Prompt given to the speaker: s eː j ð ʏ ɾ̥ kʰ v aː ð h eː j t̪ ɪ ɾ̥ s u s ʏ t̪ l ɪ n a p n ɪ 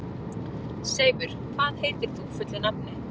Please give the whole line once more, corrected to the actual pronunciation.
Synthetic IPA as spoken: s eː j v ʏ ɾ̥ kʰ v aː ð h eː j t̪ ɪ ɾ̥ θ u f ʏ t̪ l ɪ n a p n ɪ